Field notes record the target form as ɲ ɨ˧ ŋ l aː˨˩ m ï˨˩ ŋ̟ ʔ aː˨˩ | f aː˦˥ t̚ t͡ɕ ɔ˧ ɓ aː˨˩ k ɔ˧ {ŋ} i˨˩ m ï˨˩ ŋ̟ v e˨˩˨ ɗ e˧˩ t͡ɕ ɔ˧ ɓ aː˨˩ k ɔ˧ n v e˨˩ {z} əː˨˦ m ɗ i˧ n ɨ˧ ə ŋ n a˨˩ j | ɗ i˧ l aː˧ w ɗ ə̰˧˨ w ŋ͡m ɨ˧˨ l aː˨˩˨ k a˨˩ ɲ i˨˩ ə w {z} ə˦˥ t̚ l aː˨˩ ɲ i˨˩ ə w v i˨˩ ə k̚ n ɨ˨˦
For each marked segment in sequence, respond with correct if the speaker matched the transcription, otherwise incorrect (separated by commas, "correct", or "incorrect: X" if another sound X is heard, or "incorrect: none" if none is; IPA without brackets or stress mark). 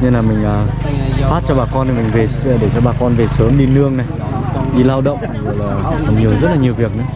incorrect: n, incorrect: s, correct